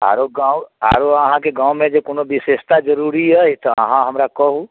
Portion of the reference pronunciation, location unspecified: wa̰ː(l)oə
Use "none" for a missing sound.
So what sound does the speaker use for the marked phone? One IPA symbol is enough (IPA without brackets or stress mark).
ɾ